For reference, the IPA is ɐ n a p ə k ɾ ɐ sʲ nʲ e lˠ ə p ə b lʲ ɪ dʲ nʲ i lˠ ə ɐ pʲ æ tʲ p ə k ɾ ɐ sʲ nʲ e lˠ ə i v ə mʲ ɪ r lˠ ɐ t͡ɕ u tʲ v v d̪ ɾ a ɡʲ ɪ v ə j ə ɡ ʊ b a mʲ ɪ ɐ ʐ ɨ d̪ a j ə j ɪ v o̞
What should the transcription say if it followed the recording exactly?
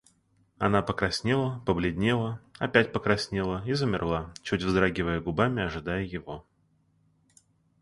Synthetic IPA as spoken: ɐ n a p ə k ɾ ɐ sʲ nʲ e lˠ ə p ə b lʲ ɪ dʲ nʲ e lˠ ə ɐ pʲ æ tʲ p ə k ɾ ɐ sʲ nʲ e lˠ ə i z ə mʲ ɪ r lˠ a t͡ɕ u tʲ v z d̪ ɾ a ɡʲ ɪ v ə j ə ɡ ʊ b a mʲ ɪ ɐ ʐ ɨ d̪ a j ə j ɪ v o̞